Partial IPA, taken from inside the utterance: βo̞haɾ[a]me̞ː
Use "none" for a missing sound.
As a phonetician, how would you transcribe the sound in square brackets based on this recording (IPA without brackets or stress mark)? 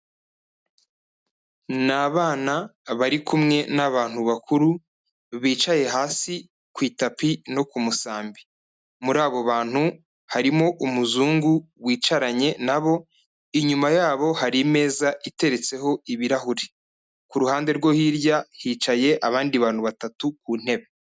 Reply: i